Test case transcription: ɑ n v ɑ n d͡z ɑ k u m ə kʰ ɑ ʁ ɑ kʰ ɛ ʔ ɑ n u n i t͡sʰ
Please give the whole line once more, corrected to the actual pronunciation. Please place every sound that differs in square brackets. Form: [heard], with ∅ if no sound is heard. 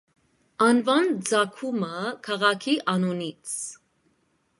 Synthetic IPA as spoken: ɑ n v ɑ n d͡z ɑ [kʰ] u m ə kʰ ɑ ʁ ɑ kʰ [i] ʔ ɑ n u n i t͡sʰ

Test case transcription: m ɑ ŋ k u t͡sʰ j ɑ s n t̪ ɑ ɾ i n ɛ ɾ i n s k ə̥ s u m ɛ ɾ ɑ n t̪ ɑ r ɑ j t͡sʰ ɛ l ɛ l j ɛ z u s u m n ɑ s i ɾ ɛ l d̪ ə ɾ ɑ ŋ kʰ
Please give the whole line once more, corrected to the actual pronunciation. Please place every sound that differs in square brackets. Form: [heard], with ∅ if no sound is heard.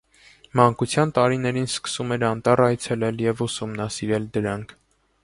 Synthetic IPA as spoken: m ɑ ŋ k u t͡sʰ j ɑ [∅] n t̪ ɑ ɾ i n ɛ ɾ i n s k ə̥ s u m ɛ ɾ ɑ n t̪ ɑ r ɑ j t͡sʰ ɛ l ɛ l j ɛ [v] u s u m n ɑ s i ɾ ɛ l d̪ ə ɾ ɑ ŋ kʰ

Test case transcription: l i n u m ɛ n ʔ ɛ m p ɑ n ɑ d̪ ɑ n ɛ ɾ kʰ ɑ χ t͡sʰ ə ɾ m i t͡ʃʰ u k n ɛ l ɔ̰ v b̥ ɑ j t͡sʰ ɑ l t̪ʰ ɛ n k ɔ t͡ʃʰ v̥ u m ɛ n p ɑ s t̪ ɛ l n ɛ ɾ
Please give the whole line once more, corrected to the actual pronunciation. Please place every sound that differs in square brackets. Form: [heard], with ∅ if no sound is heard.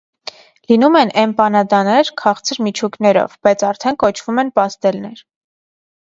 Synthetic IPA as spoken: l i n u m ɛ n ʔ ɛ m p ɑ n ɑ d̪ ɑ n ɛ ɾ kʰ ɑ χ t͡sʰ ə ɾ m i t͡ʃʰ u k n ɛ [ɾ] ɔ̰ v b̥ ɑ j t͡sʰ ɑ [ɾ] t̪ʰ ɛ n k ɔ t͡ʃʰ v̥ u m ɛ n p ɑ s t̪ ɛ l n ɛ ɾ

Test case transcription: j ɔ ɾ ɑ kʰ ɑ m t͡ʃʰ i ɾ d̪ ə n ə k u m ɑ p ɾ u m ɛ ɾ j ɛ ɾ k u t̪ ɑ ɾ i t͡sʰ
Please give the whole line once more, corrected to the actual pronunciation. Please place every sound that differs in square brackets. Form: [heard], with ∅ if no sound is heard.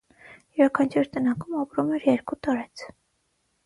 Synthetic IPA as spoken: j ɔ ɾ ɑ kʰ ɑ [n] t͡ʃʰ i ɾ [t̪] ə n [ɑ] k u m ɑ p ɾ u m ɛ ɾ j ɛ ɾ k u t̪ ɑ ɾ [ɛ] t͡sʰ

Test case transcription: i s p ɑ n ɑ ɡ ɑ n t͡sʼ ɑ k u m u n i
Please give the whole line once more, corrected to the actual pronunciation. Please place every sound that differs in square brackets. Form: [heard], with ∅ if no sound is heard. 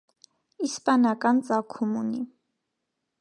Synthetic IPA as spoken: i s p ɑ n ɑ [k] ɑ n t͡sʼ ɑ [kʰ] u m u n i

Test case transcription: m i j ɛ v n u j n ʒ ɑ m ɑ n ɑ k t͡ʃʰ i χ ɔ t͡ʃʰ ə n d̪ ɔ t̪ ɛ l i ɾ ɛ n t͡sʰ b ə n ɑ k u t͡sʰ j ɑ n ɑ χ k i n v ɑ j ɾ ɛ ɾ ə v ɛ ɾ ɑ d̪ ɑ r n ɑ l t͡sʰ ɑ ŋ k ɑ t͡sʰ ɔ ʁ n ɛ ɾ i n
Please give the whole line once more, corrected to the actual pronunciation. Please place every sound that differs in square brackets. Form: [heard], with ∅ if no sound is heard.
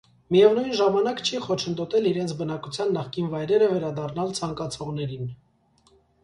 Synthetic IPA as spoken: m i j ɛ v n u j n ʒ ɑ m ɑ n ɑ k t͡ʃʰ i χ ɔ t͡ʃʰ ə n d̪ ɔ t̪ ɛ l i ɾ ɛ n t͡sʰ b ə n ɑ k u t͡sʰ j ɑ [nː] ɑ χ k i n v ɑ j ɾ ɛ ɾ ə v ɛ ɾ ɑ d̪ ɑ r n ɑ l t͡sʰ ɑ ŋ k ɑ t͡sʰ ɔ ʁ n ɛ ɾ i n

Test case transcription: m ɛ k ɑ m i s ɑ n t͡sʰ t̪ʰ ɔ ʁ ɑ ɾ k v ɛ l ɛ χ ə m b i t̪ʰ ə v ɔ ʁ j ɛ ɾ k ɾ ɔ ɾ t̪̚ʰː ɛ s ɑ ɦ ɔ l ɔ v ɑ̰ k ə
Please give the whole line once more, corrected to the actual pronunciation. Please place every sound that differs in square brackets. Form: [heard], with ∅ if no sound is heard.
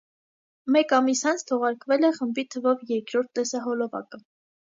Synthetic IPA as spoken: m ɛ k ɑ m i s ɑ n t͡sʰ t̪ʰ ɔ ʁ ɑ ɾ k v ɛ l ɛ χ ə m b i t̪ʰ ə v ɔ [v] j ɛ ɾ k ɾ ɔ ɾ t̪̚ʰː ɛ s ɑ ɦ ɔ l ɔ v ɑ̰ k ə

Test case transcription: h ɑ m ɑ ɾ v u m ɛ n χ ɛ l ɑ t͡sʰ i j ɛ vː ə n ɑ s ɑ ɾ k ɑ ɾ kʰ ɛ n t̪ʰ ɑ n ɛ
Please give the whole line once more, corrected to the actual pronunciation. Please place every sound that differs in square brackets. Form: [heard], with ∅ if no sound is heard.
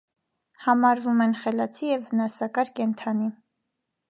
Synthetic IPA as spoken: h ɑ m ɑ ɾ v u m ɛ n χ ɛ l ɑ t͡sʰ i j ɛ vː ə n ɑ s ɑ [∅] k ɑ ɾ [k] ɛ n t̪ʰ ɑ n [i]

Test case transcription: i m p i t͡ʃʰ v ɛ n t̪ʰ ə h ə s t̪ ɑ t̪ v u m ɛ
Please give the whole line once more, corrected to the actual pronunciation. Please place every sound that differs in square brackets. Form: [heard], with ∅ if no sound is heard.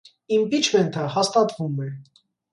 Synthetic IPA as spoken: i m p i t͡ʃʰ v ɛ n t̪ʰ ə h [ɑ] s t̪ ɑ t̪ v u m ɛ

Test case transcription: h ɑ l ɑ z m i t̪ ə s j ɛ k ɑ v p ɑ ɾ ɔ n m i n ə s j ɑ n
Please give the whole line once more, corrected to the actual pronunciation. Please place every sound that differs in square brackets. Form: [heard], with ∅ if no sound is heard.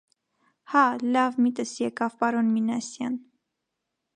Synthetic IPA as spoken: h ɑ l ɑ [v] m i t̪ ə s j ɛ k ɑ v p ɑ ɾ ɔ n m i n [ɑ] s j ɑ n

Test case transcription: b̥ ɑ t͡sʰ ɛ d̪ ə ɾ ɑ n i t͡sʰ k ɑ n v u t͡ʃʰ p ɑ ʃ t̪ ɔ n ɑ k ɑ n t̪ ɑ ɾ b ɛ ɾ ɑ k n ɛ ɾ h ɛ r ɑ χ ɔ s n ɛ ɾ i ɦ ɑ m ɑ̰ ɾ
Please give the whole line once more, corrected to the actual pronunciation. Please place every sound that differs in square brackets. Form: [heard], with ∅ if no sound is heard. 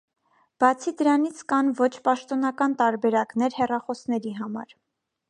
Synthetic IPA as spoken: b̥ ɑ t͡sʰ [i] d̪ ə ɾ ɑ n i t͡sʰ k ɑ n v [ɔ] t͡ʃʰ p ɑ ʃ t̪ ɔ n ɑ k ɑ n t̪ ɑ ɾ b ɛ ɾ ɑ k n ɛ ɾ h ɛ r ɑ χ ɔ s n ɛ ɾ i ɦ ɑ m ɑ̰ ɾ

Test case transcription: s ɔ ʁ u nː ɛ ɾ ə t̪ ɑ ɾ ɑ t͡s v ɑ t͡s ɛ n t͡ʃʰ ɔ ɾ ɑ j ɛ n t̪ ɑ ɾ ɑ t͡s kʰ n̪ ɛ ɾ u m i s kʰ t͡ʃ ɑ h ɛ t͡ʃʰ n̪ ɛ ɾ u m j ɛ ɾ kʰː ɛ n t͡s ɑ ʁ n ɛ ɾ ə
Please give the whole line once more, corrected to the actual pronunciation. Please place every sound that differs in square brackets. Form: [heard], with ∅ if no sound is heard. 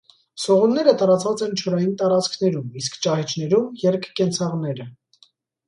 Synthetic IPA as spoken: s ɔ ʁ u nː ɛ ɾ ə t̪ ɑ ɾ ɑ t͡s v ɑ t͡s ɛ n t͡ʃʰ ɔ ɾ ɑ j [i] n t̪ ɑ ɾ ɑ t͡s kʰ n̪ ɛ ɾ u m i s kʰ t͡ʃ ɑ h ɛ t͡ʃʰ n̪ ɛ ɾ u m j ɛ ɾ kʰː ɛ n [t͡sʰ] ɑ ʁ n ɛ ɾ ə

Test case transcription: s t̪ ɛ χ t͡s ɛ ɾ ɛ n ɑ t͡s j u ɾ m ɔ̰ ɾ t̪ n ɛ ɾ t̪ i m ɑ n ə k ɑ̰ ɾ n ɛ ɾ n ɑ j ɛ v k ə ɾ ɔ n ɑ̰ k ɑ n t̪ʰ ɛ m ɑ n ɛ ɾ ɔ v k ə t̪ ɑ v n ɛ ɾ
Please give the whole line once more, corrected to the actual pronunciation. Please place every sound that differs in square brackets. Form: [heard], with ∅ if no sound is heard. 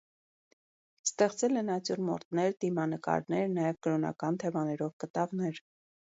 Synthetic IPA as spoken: s t̪ ɛ χ t͡s ɛ [l] ɛ n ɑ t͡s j u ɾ m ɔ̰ ɾ t̪ n ɛ ɾ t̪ i m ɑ n ə k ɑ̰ ɾ n ɛ ɾ n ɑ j ɛ v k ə ɾ ɔ n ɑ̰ k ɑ n t̪ʰ ɛ m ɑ n ɛ ɾ ɔ v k ə t̪ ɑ v n ɛ ɾ

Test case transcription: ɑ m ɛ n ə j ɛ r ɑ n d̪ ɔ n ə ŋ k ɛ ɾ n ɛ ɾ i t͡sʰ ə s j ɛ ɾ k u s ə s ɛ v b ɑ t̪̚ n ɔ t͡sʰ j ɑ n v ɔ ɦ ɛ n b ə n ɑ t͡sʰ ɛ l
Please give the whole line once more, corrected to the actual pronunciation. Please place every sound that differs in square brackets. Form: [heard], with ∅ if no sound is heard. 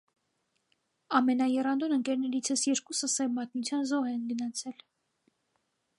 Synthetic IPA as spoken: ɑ m ɛ n [ɑ] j ɛ r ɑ n d̪ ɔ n ə ŋ k ɛ ɾ n ɛ ɾ i t͡sʰ ə s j ɛ ɾ k u s ə s ɛ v [m] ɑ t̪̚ n [u] t͡sʰ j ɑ n [z] ɔ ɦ ɛ n [ɡ] ə n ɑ t͡sʰ ɛ l

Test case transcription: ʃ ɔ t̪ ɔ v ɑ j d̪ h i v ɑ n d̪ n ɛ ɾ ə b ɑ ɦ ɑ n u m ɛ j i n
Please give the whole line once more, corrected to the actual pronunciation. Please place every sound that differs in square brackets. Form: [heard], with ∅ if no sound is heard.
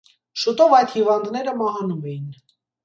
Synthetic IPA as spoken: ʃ [u] t̪ ɔ v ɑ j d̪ h i v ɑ n d̪ n ɛ ɾ ə [m] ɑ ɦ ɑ n u m ɛ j i n

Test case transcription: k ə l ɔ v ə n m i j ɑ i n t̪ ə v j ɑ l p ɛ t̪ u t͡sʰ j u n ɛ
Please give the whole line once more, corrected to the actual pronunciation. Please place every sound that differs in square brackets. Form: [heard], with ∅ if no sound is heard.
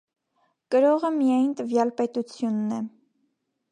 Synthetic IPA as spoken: k ə [ɾ] ɔ [ʁ] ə [∅] m i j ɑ [j] n t̪ ə v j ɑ l p ɛ t̪ u t͡sʰ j u [nː] ɛ

